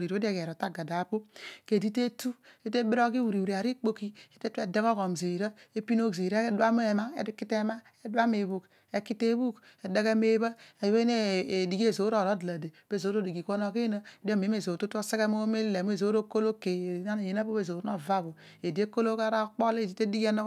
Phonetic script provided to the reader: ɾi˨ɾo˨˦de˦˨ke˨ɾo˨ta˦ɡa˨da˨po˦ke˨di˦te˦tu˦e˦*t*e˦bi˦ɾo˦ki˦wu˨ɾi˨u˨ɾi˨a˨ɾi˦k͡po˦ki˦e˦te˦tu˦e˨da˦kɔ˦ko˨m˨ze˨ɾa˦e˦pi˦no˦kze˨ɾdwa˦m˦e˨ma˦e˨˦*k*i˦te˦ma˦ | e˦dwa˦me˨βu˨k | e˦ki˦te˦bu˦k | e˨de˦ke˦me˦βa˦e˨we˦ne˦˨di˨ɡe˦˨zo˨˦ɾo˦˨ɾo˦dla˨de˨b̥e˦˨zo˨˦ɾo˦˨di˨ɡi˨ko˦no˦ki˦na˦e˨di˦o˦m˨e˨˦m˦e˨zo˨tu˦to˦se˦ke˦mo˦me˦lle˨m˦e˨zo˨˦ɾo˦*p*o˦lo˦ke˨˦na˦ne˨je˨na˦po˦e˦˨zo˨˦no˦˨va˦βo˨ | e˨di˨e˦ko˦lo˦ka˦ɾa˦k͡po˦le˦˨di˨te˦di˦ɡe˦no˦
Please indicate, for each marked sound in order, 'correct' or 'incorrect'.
correct, correct, incorrect

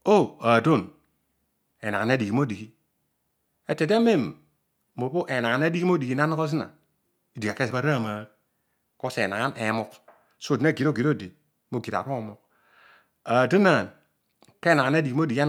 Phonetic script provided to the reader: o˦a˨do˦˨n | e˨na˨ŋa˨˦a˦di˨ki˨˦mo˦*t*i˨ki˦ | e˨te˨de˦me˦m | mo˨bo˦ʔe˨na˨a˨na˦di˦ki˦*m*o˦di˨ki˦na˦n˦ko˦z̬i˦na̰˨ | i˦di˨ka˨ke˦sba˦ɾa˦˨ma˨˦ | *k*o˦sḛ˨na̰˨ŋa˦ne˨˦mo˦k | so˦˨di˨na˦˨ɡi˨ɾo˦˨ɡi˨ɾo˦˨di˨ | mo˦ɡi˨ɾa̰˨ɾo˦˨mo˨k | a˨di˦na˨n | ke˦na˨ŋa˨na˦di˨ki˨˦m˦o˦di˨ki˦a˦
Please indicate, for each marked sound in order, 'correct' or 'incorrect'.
incorrect, correct, correct

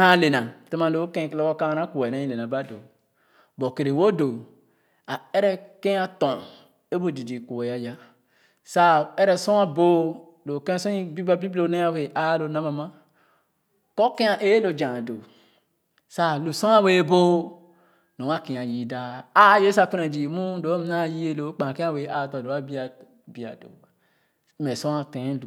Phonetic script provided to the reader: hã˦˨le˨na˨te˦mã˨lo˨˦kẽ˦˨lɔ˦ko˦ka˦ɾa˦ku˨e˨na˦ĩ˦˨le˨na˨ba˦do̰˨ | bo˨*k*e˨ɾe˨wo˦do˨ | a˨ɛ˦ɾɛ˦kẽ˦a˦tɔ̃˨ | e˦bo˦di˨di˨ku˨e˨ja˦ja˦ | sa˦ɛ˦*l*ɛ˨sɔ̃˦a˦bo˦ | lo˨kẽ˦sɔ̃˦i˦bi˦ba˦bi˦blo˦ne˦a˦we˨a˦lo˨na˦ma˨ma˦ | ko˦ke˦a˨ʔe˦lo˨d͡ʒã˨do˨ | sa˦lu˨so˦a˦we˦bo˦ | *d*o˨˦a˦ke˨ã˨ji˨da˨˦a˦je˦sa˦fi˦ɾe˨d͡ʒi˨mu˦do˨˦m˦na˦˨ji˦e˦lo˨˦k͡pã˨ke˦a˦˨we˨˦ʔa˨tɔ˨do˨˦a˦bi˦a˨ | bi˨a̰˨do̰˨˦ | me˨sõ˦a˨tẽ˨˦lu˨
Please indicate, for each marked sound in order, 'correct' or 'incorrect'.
correct, incorrect, incorrect

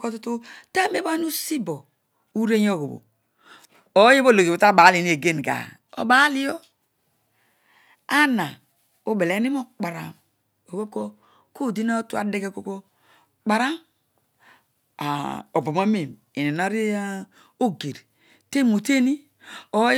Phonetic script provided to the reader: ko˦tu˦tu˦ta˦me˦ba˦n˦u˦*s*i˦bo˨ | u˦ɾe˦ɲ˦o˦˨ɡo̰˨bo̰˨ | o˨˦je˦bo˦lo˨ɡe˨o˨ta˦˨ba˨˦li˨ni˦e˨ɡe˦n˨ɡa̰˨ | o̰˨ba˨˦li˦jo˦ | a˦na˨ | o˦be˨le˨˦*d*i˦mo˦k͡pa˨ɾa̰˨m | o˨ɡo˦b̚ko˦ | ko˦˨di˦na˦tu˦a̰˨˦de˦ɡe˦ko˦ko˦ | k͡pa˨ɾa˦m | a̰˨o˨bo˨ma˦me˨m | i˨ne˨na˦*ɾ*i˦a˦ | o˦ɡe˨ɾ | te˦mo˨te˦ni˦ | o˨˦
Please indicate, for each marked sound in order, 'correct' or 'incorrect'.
correct, incorrect, correct

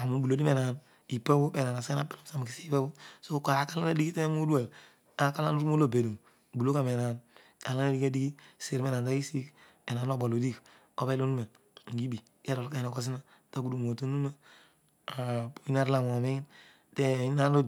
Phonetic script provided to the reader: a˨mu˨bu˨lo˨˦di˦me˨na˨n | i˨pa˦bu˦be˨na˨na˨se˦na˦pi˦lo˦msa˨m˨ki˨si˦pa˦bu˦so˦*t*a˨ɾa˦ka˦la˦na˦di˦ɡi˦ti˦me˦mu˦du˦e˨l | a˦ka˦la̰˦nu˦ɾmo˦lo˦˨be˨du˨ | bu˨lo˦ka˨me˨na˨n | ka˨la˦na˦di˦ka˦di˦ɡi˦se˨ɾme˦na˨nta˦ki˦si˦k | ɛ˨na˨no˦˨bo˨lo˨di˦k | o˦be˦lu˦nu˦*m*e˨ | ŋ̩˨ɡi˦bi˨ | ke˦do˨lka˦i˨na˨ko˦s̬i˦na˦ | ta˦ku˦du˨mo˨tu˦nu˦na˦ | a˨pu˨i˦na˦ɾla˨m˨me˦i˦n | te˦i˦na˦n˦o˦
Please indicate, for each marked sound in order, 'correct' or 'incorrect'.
incorrect, correct

